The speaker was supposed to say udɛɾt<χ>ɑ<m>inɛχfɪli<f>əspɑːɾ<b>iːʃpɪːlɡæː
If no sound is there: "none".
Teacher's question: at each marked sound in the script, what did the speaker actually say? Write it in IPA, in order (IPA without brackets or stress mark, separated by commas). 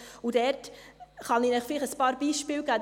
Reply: χ, n, χ, b